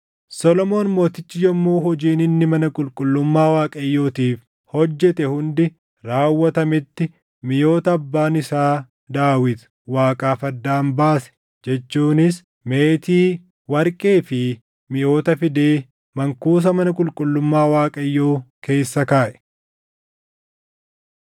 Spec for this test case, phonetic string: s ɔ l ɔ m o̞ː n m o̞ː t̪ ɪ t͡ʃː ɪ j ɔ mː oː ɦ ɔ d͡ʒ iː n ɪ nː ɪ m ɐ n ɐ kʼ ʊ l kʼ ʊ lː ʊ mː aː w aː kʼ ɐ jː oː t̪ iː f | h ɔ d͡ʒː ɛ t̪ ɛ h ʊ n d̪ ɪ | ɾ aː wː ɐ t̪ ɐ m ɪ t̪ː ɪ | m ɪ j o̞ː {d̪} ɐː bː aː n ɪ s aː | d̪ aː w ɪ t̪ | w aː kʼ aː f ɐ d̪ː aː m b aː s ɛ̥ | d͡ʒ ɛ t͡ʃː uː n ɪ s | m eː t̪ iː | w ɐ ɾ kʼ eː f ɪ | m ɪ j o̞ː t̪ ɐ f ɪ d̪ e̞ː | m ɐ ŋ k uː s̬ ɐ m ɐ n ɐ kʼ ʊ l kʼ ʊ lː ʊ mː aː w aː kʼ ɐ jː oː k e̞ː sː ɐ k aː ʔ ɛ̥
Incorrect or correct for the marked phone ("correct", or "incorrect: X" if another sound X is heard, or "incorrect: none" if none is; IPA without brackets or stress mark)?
incorrect: t̪